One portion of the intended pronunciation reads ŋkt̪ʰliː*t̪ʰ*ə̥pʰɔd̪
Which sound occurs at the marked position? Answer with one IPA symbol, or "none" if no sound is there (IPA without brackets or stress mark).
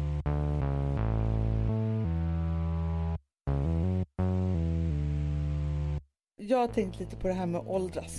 t̪